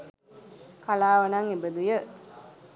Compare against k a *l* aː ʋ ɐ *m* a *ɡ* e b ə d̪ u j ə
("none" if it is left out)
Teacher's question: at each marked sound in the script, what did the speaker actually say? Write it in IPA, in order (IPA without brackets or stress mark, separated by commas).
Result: l, n, ŋ